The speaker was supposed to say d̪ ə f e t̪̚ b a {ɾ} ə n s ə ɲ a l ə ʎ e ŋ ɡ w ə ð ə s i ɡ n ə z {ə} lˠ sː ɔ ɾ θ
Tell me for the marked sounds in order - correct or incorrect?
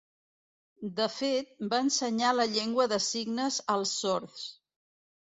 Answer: incorrect: none, correct

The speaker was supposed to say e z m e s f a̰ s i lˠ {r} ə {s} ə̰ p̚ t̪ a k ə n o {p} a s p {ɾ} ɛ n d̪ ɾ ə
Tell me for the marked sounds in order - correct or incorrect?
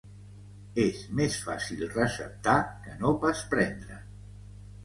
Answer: correct, correct, correct, correct

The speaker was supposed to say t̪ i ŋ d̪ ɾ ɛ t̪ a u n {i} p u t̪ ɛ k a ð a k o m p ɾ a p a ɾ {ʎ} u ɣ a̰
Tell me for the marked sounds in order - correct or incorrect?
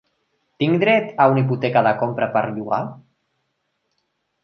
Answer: correct, correct

